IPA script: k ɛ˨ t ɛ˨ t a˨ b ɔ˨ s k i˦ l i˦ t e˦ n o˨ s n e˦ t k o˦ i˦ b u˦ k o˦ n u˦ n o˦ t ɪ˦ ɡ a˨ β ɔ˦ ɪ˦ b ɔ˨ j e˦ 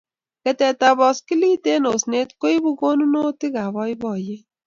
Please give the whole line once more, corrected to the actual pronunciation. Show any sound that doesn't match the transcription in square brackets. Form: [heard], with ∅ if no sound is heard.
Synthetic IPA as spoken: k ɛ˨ t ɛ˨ t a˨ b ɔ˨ s k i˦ l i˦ t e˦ n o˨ s n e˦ t k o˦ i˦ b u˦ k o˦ n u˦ n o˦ t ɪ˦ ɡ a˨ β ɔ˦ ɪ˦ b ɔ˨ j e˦